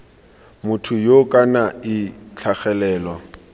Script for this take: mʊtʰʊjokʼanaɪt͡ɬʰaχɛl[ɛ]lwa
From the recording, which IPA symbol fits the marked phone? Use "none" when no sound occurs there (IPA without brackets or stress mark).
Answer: ɛː